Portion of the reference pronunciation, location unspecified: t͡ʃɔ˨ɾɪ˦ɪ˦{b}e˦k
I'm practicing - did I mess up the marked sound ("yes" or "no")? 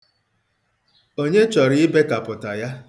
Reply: no